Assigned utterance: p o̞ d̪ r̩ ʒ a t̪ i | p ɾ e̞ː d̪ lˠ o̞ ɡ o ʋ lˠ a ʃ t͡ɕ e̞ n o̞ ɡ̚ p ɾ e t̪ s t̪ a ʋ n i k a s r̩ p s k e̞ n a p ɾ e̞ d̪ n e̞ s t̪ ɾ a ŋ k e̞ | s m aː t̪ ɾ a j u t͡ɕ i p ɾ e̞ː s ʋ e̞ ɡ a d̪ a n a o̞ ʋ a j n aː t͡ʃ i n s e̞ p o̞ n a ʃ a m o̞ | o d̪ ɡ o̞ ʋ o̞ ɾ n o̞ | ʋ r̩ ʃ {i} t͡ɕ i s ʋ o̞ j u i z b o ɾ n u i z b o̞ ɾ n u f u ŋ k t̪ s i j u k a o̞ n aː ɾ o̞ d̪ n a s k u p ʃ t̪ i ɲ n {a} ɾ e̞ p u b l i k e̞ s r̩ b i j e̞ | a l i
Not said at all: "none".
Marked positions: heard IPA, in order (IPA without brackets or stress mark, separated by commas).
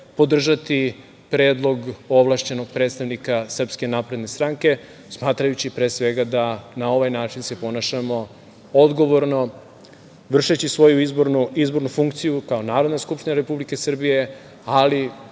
e, a